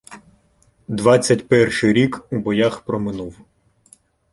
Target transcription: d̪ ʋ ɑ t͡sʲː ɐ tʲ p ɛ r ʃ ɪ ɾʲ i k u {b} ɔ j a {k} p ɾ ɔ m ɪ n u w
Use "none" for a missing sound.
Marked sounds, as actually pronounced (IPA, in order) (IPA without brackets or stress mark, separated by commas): b, x